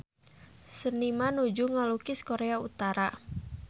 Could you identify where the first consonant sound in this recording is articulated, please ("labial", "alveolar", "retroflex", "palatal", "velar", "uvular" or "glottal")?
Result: alveolar